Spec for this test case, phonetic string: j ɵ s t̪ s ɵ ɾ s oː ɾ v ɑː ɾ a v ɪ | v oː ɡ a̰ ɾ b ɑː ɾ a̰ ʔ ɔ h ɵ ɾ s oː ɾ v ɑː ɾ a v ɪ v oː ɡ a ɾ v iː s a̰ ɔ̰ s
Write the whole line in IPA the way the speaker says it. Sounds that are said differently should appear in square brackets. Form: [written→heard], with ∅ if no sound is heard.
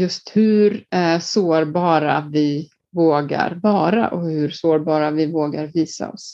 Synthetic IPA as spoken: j ɵ s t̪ [s→h] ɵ ɾ s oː ɾ [v→b] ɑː ɾ a v ɪ | v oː ɡ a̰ ɾ [b→v] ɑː ɾ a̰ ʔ ɔ h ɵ ɾ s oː ɾ [v→b] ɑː ɾ a v ɪ v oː ɡ a ɾ v iː s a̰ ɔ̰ s